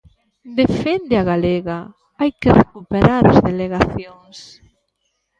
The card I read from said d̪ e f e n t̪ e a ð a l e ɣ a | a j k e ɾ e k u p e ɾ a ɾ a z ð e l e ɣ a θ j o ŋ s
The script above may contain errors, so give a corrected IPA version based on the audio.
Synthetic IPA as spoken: d̪ e f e n d̪ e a ɣ a l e ɣ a | a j k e r e k u p e ɾ a ɾ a z ð e l e ɣ a θ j o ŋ s

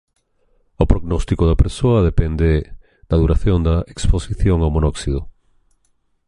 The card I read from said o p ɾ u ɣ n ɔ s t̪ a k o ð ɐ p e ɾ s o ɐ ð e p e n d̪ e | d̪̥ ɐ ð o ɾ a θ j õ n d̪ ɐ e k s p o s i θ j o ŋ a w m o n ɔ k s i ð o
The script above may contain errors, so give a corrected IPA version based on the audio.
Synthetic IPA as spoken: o p ɾ o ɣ n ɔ s t̪ i k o ð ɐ p e ɾ s o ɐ ð e p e n d̪ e | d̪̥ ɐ ð u ɾ a θ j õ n d̪ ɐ e k s p o s i θ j o ŋ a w m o n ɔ k s i ð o

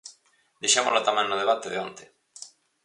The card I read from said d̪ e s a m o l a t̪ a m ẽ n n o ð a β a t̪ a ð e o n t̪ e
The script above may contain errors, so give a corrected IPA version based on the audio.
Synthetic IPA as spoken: d̪ e ʃ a m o l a t̪ a m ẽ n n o ð e β a t̪ e ð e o n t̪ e

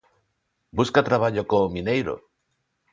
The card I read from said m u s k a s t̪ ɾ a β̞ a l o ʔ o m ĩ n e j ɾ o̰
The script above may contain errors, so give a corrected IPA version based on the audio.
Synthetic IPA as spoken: b u s k a t̪ ɾ a β̞ a ʎ o k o m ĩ n e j ɾ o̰

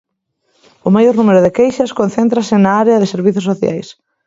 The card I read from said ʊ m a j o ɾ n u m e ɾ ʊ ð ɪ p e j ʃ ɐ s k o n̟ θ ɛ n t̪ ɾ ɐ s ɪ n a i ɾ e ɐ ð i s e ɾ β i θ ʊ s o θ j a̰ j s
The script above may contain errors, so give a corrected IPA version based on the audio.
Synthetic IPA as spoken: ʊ m a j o ɾ n u m e ɾ ʊ ð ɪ k e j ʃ ɐ s k o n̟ θ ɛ n t̪ ɾ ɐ s ɪ n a a ɾ e ɐ ð ɪ s e ɾ β i θ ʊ s o θ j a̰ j s

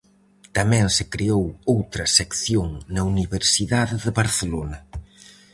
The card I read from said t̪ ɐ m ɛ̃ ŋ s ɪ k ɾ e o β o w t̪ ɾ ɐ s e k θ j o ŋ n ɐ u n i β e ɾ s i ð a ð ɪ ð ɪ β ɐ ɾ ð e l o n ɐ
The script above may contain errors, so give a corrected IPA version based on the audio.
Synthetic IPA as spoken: t̪ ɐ m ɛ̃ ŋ s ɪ k ɾ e o w o w t̪ ɾ ɐ s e k θ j o ŋ n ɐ u n i β e ɾ s i ð a ð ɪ ð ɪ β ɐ ɾ θ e l o n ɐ

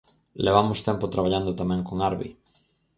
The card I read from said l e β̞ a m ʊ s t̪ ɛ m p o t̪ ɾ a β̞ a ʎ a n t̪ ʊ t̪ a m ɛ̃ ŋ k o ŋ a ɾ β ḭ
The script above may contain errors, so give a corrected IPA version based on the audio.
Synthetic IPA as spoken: l e β̞ a m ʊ s t̪ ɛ m p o t̪ ɾ a β̞ a ʎ a n d̪ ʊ t̪ a m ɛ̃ ŋ k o ŋ a ɾ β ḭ

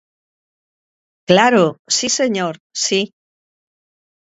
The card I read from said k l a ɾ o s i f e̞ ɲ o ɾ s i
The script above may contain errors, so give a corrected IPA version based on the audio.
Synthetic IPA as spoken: k l a ɾ o s i s e̞ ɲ o ɾ s i

